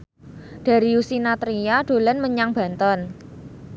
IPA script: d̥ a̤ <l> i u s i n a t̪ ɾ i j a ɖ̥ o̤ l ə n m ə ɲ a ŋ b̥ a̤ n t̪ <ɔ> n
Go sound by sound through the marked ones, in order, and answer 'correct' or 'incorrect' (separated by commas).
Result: incorrect, correct